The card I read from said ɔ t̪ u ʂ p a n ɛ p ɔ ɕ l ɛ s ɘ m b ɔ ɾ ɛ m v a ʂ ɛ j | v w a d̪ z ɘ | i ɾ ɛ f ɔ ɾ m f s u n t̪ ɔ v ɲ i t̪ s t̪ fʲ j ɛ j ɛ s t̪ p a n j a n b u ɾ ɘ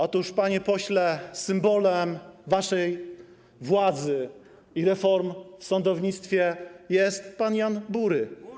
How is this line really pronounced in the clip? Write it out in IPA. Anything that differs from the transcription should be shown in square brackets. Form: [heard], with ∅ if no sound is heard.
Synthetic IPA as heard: ɔ t̪ u ʂ p a [ɲ] ɛ p ɔ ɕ l ɛ s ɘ m b ɔ [l] ɛ m v a ʂ ɛ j | v w a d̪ z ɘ | i ɾ ɛ f ɔ ɾ m f s [ɔ] n [d̪] ɔ v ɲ i t̪ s t̪ fʲ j ɛ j ɛ s t̪ p a n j a n b u ɾ ɘ